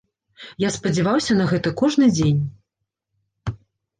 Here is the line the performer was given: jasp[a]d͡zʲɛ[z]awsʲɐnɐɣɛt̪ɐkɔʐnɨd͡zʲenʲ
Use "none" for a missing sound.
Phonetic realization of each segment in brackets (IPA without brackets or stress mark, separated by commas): ɐ, v